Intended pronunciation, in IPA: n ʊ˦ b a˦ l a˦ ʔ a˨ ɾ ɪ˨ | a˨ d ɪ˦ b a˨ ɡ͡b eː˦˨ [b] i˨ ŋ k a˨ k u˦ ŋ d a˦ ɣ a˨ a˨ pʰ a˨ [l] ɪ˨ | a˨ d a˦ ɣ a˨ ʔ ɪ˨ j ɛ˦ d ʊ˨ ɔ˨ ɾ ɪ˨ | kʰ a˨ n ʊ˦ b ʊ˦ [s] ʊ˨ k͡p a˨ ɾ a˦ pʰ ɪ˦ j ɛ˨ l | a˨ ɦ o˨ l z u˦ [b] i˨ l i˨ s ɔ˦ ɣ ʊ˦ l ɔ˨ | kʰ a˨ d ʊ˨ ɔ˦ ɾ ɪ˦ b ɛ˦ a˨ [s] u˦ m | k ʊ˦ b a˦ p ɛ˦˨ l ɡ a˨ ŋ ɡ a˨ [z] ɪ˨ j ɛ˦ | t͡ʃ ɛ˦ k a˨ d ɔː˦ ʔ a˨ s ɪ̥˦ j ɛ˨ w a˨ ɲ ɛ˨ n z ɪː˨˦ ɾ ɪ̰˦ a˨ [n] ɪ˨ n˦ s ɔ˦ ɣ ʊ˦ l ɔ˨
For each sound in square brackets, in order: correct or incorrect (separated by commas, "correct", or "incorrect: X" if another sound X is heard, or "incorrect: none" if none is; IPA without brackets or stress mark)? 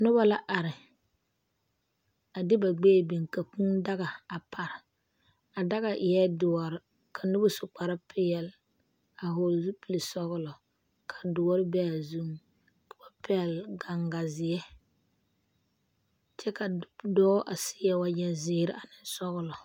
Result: correct, incorrect: ɾ, correct, incorrect: p, incorrect: z, correct, correct